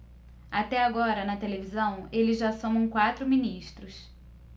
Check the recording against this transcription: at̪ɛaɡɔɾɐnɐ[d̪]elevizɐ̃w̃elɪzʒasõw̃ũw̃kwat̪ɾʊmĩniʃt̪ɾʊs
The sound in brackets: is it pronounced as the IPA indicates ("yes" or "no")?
no